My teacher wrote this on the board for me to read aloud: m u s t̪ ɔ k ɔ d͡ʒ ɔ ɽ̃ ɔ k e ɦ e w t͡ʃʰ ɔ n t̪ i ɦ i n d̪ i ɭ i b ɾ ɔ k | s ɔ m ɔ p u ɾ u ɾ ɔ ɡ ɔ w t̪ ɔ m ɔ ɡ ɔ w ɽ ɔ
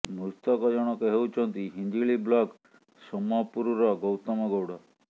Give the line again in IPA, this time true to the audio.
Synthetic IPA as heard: m u s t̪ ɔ k ɔ d͡ʒ ɔ ɽ̃ ɔ k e ɦ e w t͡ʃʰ ɔ n t̪ i ɦ i n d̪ i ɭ i b l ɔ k | s ɔ m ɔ p u ɾ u ɾ ɔ ɡ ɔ w t̪ ɔ m ɔ ɡ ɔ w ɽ ɔ

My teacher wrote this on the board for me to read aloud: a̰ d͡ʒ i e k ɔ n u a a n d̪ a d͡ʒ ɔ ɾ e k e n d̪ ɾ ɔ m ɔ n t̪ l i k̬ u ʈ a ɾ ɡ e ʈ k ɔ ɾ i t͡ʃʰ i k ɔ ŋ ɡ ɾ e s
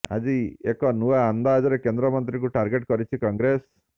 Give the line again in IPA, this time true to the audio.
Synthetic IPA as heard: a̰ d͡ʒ i e k ɔ n u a a n d̪ a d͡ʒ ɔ ɾ e k e n d̪ ɾ ɔ m ɔ n t̪ ɾ i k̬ u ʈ a ɾ ɡ e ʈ k ɔ ɾ i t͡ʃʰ i k ɔ ŋ ɡ ɾ e s

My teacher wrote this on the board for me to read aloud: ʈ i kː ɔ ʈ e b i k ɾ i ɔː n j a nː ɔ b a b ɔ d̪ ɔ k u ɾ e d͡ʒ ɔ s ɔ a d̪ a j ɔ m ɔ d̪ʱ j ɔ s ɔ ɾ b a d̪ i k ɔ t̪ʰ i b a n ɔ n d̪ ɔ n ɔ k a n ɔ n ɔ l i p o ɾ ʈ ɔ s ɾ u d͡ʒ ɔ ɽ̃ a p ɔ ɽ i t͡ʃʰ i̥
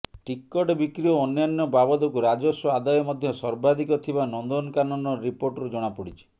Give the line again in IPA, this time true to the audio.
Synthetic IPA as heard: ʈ i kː ɔ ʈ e b i k ɾ i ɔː n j a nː ɔ b a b ɔ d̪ ɔ k u ɾ a d͡ʒ ɔ s ɔ a d̪ a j ɔ m ɔ d̪ʱ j ɔ s ɔ ɾ b a d̪ i k ɔ t̪ʰ i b a n ɔ n d̪ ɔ n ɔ k a n ɔ n ɔ ɾ i p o ɾ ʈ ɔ ɾ u d͡ʒ ɔ ɽ̃ a p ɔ ɽ i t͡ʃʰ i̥

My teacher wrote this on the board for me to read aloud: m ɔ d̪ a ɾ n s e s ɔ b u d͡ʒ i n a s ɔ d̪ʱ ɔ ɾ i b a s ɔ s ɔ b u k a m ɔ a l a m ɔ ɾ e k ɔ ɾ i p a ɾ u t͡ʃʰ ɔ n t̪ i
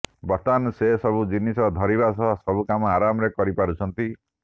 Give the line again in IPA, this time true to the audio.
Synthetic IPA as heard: b ɔ t̪ a n s e s ɔ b u d͡ʒ i n i s ɔ d̪ʱ ɔ ɾ i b a s ɔ s ɔ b u k a m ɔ a ɾ a m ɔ ɾ e k ɔ ɾ i p a ɾ u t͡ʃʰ ɔ n t̪ i

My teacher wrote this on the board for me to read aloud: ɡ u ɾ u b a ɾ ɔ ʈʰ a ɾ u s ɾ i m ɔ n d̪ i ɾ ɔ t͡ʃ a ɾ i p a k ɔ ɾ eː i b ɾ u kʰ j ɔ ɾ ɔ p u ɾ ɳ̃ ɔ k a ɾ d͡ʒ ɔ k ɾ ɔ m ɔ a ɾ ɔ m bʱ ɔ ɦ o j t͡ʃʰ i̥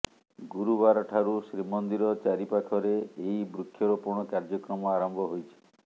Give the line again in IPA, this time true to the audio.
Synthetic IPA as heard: ɡ u ɾ u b a ɾ ɔ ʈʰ a ɾ u s ɾ i m ɔ n d̪ i ɾ ɔ t͡ʃ a ɾ i p a kʰ ɔ ɾ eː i b ɾ u kʰ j ɔ ɾ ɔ p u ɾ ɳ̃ ɔ k a ɾ d͡ʒ ɔ k ɾ ɔ m ɔ a ɾ ɔ m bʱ ɔ ɦ o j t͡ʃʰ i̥

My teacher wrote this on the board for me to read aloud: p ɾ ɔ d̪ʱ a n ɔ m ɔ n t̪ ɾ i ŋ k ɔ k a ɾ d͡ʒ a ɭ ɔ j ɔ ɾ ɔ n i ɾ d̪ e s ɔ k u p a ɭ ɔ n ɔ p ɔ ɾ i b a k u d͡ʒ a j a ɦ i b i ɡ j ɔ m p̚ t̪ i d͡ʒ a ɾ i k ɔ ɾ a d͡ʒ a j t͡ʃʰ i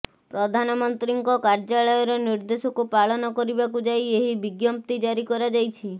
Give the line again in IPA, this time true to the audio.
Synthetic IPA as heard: p ɾ ɔ d̪ʱ a n ɔ m ɔ n t̪ ɾ i ŋ k ɔ k a ɾ d͡ʒ a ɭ ɔ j ɔ ɾ ɔ n i ɾ d̪ e s ɔ k u p a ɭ ɔ n ɔ k ɔ ɾ i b a k u d͡ʒ a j e ɦ i b i ɡ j ɔ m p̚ t̪ i d͡ʒ a ɾ i k ɔ ɾ a d͡ʒ a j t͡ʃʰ i

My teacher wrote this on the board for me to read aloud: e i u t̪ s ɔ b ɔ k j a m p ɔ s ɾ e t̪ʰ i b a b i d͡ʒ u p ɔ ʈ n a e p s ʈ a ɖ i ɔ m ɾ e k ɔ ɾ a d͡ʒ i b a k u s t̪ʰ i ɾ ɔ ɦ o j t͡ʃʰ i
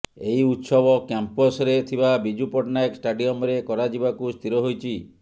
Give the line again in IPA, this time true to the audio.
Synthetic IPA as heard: e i u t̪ s ɔ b ɔ k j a m p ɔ s ɾ e t̪ʰ i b a b i d͡ʒ u p ɔ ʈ n a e k s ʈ a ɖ i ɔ m ɾ e k ɔ ɾ a d͡ʒ i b a k u s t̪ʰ i ɾ ɔ ɦ o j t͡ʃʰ i

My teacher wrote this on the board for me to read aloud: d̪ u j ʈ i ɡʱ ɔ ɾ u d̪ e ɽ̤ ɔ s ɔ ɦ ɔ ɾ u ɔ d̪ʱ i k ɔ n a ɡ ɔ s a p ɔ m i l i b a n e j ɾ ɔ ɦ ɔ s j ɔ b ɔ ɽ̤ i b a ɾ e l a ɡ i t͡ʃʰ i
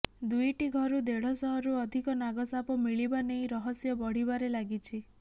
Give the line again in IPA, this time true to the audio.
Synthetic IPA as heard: d̪ u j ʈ i ɡʱ ɔ ɾ u d̪ e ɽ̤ ɔ s ɔ ɦ ɔ ɾ u ɔ d̪ʱ i k ɔ n a ɡ ɔ s a p ɔ m i ɭ i b a n e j ɾ ɔ ɦ ɔ s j ɔ b ɔ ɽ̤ i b a ɾ e l a ɡ i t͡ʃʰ i

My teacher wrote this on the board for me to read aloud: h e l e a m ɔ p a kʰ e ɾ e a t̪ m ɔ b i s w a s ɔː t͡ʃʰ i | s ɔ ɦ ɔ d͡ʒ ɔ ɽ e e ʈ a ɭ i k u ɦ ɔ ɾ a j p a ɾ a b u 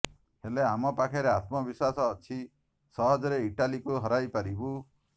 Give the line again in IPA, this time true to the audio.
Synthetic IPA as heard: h e l e a m ɔ p a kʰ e ɾ e a t̪ m ɔ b i s w a s ɔː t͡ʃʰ i | s ɔ ɦ ɔ d͡ʒ ɔ ɾ e i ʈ a l i k u ɦ ɔ ɾ a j p a ɾ i b u

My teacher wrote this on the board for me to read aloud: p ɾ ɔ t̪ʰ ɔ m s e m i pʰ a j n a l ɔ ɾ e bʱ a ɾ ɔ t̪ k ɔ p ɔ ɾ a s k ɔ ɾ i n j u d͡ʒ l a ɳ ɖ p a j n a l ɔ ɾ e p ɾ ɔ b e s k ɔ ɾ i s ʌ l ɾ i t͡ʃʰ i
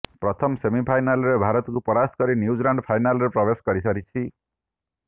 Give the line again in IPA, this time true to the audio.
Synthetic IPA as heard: p ɾ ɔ t̪ʰ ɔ m s e m i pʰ a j n a l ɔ ɾ e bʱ a ɾ ɔ t̪ k u p ɔ ɾ a s k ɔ ɾ i n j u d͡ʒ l a ɳ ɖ pʰ a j n a l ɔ ɾ e p ɾ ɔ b e s k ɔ ɾ i s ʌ ɾ i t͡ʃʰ i

